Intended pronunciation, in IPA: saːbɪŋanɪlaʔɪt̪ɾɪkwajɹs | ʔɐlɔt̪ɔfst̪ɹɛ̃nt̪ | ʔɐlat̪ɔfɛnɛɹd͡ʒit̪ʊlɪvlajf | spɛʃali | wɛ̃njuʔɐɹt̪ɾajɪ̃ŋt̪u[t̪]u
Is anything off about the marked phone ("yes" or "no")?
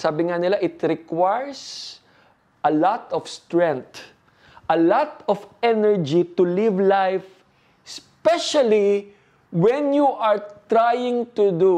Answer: yes